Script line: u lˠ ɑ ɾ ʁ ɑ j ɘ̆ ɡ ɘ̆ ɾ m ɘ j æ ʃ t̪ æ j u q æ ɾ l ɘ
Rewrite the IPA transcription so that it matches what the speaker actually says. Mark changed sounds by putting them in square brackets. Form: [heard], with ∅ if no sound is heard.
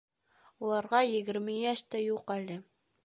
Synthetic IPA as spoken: u lˠ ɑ ɾ ʁ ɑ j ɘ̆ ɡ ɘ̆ ɾ m ɘ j æ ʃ t̪ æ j u q æ [∅] l ɘ